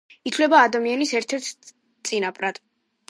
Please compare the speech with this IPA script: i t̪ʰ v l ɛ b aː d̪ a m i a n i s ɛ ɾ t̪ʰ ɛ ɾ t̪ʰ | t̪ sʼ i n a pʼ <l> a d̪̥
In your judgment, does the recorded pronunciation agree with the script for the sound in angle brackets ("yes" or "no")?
no